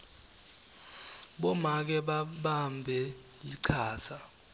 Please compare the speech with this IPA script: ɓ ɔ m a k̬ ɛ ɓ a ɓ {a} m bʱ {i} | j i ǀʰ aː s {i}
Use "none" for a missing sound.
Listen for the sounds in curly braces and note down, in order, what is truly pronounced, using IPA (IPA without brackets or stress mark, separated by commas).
a, ɛ, a